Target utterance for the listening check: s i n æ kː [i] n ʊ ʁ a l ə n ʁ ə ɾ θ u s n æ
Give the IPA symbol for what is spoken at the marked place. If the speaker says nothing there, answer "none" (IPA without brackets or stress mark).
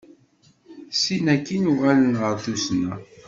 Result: i